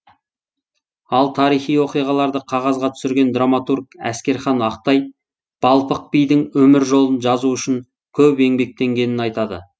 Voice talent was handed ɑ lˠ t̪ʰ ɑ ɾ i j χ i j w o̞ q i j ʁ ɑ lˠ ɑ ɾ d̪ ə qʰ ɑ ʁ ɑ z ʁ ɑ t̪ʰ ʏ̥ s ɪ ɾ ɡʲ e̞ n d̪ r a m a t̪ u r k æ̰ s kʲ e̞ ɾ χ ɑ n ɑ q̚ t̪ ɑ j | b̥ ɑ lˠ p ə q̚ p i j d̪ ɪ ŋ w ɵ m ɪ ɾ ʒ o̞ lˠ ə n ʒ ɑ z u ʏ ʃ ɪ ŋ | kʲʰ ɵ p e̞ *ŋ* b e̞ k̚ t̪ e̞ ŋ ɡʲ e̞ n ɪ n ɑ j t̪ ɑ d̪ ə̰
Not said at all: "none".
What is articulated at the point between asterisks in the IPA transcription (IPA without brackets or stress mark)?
ŋ